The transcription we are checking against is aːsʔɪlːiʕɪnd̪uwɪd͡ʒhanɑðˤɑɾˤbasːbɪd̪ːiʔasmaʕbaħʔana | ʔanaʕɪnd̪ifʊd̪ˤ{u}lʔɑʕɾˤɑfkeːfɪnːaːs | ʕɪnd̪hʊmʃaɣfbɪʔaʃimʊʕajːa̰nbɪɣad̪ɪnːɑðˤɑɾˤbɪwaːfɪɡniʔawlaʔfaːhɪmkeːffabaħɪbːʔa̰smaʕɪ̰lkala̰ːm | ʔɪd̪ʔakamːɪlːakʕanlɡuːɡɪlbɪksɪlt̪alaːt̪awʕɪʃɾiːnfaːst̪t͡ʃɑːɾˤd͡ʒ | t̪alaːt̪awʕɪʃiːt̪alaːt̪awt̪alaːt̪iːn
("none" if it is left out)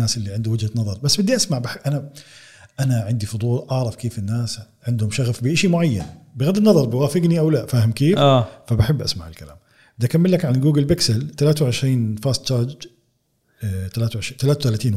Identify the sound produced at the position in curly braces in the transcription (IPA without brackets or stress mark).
uː